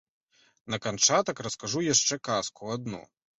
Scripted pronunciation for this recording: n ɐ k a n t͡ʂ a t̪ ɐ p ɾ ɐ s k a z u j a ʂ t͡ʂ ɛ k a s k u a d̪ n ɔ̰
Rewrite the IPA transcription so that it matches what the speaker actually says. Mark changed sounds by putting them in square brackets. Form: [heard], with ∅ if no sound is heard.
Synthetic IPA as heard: n ɐ k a n t͡ʂ a t̪ ɐ [k] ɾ ɐ s k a [ʐ] u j a ʂ t͡ʂ ɛ k a s k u a d̪ n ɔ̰